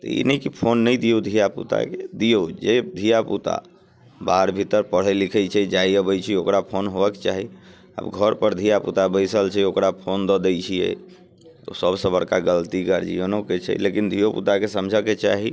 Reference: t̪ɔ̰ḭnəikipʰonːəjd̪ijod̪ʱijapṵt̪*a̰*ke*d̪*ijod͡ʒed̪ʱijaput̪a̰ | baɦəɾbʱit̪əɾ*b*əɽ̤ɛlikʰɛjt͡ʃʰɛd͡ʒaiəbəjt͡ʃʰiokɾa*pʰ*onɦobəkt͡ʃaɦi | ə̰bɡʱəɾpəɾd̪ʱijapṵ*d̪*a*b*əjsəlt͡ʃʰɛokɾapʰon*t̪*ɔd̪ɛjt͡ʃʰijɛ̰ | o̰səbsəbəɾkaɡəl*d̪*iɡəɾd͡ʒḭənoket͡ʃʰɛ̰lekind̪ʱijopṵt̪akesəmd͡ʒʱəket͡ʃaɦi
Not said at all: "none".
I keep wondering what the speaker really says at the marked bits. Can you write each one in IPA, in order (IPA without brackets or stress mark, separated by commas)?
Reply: a̰, d̪, p, pʰ, t̪, b, d̪, t̪